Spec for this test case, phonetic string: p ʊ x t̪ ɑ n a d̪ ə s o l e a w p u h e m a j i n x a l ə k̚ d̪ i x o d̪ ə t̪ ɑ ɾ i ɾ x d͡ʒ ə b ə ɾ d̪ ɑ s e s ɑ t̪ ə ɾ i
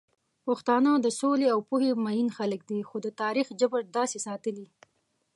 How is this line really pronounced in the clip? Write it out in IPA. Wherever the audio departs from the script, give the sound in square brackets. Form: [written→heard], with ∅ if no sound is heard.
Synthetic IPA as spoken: p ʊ x t̪ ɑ n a d̪ ə s o l e a w p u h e m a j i n x a l ə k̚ d̪ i x o d̪ ə t̪ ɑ ɾ i [ɾ→∅] x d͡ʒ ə b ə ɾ d̪ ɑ s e s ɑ t̪ ə [ɾ→l] i

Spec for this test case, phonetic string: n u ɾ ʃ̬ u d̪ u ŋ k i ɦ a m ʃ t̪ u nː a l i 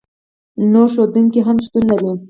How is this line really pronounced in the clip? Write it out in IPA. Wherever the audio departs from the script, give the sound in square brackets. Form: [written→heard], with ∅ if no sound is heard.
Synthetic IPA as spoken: n [u→o] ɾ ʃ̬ [u→o] d̪ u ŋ k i ɦ a m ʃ t̪ u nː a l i

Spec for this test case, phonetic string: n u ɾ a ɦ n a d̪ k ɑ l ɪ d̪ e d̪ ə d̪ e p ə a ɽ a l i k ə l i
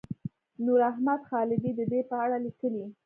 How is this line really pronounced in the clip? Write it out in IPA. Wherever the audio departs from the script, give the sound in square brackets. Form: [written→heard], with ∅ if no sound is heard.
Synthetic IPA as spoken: n u ɾ a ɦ [n→m] a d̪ [k→x] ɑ l ɪ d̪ [e→i] d̪ ə d̪ e p ə a ɽ a l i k ə l i

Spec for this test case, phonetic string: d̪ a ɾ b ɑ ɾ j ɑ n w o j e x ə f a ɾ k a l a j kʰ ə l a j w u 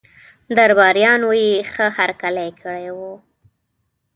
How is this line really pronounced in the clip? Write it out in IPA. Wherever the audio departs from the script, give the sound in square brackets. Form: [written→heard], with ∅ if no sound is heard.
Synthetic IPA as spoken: d̪ a ɾ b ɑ ɾ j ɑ n w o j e x ə [f→h] a ɾ k a l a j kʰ ə [l→ɽ] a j w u

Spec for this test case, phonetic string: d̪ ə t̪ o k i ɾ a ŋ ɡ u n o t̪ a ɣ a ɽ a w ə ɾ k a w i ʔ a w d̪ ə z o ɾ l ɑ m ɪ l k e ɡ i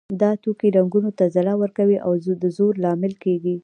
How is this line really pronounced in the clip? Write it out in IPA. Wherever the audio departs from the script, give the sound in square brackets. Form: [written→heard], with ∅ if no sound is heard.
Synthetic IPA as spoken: d̪ [ə→ɑ] t̪ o k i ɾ a ŋ ɡ u n o t̪ a [ɣ→z] a [ɽ→l] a w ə ɾ k a w i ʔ a w d̪ ə z o ɾ l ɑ m ɪ l k e ɡ i

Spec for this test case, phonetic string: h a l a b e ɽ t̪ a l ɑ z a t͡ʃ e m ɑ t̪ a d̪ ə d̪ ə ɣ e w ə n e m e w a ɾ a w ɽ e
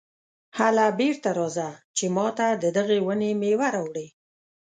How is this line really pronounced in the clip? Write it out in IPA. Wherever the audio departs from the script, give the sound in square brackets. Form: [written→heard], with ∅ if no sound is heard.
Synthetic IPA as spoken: h a l a b e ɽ t̪ a [l→ɾ] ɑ z a t͡ʃ e m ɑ t̪ a d̪ ə d̪ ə ɣ e w ə n e m e w a ɾ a w ɽ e

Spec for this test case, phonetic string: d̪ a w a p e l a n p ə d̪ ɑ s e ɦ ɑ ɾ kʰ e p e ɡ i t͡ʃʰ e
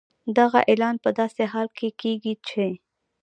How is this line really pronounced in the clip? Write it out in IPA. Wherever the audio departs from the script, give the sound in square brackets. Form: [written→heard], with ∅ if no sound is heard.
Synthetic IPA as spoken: d̪ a [w→ɣ] a [p→ʔ] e l [a→ɑ] n p ə d̪ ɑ s e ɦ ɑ [ɾ→l] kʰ e [p→k] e ɡ i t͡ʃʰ e

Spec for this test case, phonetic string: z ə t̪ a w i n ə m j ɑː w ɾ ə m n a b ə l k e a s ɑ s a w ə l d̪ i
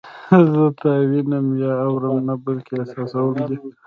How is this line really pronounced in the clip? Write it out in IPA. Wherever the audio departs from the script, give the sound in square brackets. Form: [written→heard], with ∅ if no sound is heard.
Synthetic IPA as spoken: z ə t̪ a w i n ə m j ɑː w ɾ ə m n a b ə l k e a s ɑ s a w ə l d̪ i

